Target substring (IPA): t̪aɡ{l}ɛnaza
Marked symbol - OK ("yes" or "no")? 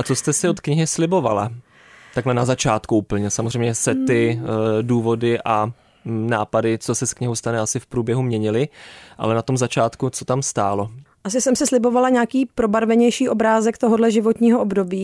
yes